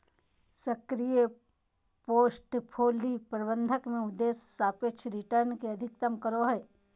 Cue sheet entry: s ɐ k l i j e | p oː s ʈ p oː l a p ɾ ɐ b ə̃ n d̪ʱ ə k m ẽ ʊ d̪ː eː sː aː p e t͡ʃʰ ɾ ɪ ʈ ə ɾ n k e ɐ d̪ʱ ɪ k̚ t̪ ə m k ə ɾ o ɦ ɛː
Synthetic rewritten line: s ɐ k ɾ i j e | p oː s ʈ pʰ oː l i p ɾ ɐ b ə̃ n d̪ʱ ə k m ẽ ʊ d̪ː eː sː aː p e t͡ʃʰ ɾ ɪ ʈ ə ɾ n k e ɐ d̪ʱ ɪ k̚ t̪ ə m k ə ɾ o ɦ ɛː